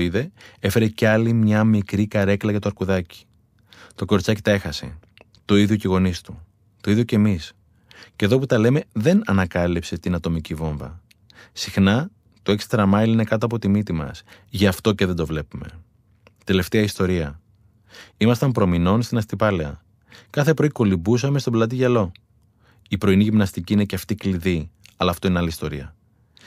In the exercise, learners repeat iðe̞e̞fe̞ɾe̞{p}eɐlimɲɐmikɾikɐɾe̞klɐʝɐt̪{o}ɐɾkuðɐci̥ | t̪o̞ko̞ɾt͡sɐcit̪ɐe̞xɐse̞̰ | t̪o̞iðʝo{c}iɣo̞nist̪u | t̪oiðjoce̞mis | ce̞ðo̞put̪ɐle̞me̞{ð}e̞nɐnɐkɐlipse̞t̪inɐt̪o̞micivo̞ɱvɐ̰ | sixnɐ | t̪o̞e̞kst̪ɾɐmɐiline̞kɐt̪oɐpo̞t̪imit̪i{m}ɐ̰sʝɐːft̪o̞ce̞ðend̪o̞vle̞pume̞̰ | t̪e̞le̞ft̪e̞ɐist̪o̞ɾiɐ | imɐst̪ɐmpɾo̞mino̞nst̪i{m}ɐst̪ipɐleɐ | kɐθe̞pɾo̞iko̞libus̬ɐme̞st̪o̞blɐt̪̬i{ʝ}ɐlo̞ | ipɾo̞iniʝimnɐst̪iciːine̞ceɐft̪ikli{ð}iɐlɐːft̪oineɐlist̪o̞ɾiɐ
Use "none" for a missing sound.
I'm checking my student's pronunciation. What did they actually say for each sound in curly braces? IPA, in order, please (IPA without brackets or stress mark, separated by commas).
c, o, c, ð, m, n, ʝ, ð